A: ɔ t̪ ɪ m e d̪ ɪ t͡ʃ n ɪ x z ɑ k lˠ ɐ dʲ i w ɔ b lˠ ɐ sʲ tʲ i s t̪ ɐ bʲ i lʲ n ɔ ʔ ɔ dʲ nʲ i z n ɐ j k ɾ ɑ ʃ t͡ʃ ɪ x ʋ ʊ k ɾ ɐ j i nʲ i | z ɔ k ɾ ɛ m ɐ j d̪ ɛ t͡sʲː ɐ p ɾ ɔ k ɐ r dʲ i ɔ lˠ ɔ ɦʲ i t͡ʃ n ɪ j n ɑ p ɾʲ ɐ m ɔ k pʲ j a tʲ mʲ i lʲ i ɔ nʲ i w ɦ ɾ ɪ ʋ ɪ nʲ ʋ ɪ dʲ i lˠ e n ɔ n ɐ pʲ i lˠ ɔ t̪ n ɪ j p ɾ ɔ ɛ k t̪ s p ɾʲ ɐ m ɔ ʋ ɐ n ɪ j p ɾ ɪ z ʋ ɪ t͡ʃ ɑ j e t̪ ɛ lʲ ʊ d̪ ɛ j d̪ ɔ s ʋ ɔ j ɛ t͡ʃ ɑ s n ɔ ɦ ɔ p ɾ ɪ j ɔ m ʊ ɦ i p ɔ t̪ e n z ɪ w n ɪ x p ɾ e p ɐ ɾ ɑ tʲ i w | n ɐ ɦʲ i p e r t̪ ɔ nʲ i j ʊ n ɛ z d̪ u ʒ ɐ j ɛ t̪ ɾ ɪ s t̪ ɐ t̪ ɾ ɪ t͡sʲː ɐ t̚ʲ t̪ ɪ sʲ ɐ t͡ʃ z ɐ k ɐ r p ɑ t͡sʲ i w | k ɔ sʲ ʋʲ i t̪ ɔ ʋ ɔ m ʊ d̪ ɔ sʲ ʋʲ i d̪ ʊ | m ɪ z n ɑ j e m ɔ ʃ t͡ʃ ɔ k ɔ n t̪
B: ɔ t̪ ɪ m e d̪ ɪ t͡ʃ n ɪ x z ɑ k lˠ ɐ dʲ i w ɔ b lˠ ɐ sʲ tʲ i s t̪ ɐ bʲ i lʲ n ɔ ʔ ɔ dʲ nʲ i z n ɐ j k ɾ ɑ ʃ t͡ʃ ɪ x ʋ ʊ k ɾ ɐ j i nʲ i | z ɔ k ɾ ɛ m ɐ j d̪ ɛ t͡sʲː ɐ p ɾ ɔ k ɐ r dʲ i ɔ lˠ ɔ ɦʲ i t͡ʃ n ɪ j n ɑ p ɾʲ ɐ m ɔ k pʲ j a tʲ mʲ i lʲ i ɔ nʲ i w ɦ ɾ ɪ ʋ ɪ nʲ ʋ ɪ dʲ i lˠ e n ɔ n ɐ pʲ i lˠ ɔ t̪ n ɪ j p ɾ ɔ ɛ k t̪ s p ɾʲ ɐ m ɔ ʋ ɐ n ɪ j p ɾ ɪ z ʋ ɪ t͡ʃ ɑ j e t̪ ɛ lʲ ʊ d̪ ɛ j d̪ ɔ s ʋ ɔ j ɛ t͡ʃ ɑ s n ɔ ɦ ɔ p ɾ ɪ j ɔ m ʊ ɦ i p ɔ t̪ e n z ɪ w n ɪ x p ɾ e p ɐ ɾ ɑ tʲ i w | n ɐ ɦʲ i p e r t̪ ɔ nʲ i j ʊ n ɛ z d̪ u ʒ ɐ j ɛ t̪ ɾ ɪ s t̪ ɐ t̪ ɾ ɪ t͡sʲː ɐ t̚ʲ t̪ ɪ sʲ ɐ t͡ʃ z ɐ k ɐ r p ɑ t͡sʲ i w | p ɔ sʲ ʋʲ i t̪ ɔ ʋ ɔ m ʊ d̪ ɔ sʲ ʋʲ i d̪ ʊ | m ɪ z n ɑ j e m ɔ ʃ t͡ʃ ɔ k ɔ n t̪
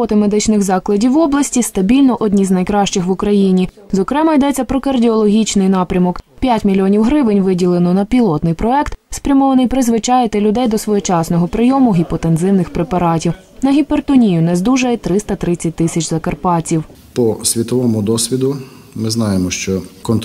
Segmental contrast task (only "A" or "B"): B